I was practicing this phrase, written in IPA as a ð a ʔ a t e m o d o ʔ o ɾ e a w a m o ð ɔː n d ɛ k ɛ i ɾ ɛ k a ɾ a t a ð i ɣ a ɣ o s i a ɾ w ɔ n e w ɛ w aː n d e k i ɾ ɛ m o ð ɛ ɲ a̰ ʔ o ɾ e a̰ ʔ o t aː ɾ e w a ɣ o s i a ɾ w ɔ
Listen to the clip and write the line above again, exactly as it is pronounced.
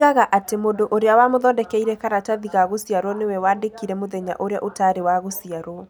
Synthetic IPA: a ɣ a ʔ a t e m o d o ʔ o ɾ e a w a m o ð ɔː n d ɛ k ɛ i ɾ ɛ k a ɾ a t a ð i ɣ a ɣ o s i a ɾ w ɔ n e w ɛ w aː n d e k i ɾ ɛ m o ð ɛ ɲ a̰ ʔ o ɾ e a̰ ʔ o t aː ɾ e w a ɣ o s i a ɾ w ɔ